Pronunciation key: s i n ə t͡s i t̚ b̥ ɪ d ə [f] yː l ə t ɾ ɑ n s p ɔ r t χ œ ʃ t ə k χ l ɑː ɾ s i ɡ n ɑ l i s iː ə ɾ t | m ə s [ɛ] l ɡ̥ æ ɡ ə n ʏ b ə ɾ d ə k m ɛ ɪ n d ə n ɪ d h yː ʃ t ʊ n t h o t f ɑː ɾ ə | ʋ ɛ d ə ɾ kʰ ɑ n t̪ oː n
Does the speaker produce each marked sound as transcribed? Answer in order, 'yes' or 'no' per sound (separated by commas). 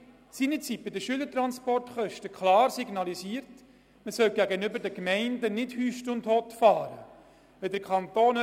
no, no